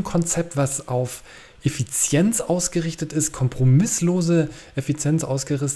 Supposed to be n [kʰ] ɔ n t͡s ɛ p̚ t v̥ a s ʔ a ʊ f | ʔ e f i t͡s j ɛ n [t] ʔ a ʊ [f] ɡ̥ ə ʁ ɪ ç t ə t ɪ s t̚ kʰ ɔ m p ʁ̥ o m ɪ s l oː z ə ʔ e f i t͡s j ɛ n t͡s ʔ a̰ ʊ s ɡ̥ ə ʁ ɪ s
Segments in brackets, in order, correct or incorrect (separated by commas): correct, incorrect, incorrect